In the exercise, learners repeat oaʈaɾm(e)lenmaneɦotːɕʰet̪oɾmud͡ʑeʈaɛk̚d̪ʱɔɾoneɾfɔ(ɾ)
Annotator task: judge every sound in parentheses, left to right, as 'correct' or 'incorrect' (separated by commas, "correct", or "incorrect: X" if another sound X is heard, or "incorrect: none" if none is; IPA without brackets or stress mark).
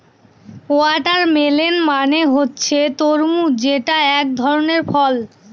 correct, incorrect: l